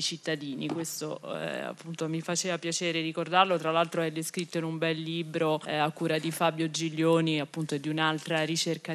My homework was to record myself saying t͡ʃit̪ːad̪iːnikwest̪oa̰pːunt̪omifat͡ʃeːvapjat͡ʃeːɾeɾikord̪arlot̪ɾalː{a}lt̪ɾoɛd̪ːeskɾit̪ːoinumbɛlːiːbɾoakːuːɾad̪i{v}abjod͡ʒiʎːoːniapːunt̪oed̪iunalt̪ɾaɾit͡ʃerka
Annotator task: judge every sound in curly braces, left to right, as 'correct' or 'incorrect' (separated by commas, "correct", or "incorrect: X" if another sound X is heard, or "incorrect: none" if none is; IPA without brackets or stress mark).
correct, incorrect: f